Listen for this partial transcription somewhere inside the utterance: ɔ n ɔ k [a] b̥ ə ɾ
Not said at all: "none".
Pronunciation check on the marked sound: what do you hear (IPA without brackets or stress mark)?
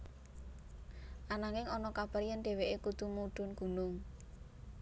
a